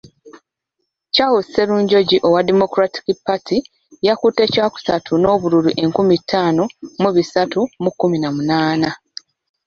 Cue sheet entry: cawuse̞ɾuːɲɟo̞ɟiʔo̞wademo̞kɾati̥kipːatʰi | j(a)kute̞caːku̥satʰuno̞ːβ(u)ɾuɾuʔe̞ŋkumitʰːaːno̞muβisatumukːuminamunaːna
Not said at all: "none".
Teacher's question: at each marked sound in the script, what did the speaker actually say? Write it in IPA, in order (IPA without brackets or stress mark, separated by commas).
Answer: a, u